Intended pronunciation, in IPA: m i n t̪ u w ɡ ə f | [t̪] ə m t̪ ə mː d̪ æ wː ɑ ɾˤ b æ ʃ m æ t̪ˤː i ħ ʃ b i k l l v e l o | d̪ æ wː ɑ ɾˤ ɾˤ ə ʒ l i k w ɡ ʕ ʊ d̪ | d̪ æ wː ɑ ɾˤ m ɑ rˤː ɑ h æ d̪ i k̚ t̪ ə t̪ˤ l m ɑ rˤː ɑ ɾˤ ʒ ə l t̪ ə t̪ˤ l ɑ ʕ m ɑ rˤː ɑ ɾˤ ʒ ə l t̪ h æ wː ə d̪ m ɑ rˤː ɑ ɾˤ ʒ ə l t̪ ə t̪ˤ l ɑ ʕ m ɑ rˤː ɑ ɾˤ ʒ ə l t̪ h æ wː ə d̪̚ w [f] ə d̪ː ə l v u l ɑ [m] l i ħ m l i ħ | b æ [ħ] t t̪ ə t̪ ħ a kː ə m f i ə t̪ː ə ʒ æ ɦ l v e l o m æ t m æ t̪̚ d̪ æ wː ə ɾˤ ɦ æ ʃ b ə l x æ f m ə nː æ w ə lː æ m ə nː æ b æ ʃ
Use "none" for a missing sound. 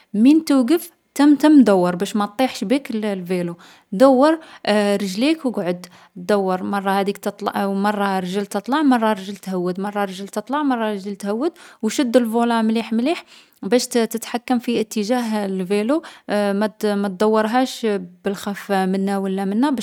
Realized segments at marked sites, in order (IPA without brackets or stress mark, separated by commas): t̪, ʃ, m, ʃ